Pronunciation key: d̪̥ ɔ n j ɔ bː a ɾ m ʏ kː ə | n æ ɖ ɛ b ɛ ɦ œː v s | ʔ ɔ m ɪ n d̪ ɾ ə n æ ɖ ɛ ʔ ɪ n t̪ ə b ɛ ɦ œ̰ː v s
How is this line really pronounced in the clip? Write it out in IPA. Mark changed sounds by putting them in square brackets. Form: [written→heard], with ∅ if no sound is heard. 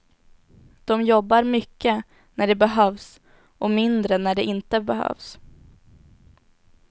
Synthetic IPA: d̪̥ ɔ [n→m] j ɔ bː a ɾ m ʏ kː ə | n æ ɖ ɛ b ɛ ɦ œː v s | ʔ ɔ m ɪ n d̪ ɾ ə n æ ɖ ɛ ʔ ɪ n t̪ ə b ɛ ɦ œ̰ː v s